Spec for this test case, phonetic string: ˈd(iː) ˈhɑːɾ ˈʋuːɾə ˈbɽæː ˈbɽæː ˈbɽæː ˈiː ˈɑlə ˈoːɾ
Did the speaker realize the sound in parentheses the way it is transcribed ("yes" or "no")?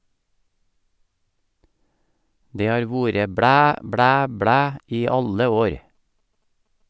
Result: no